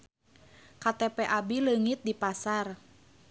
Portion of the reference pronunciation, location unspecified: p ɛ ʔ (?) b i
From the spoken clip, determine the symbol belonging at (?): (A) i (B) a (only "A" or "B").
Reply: B